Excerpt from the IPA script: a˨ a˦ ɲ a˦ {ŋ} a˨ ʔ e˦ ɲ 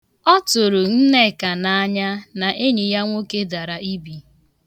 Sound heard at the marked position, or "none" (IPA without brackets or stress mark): n